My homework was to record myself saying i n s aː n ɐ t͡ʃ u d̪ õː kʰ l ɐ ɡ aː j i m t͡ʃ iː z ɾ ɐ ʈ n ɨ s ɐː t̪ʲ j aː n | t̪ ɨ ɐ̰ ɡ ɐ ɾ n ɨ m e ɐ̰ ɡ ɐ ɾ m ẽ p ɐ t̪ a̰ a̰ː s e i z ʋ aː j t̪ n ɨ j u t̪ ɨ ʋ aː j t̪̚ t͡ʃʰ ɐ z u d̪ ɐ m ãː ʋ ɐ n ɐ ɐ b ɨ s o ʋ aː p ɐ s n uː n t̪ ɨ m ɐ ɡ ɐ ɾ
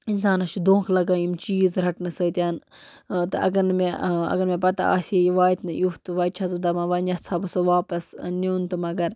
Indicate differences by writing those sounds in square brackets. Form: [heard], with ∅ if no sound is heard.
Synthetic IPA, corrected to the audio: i n s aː n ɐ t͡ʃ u d̪ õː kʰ l ɐ ɡ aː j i m t͡ʃ iː z ɾ ɐ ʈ n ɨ s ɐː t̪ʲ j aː n | t̪ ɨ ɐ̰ ɡ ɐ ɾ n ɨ m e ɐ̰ ɡ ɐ ɾ m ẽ p ɐ t̪ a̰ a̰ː s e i [∅] ʋ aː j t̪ n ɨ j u t̪ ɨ ʋ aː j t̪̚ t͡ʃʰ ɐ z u d̪ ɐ m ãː ʋ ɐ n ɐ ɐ b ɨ s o ʋ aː p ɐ s n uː n t̪ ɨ m ɐ ɡ ɐ ɾ